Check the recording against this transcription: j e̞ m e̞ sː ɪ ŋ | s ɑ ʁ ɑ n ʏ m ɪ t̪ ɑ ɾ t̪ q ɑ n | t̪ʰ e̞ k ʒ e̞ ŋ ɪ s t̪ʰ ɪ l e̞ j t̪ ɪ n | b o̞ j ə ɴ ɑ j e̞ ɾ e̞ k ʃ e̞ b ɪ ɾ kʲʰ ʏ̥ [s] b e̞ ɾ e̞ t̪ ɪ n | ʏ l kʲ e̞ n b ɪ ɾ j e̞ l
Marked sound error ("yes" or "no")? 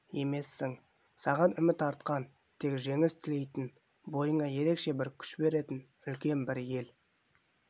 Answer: yes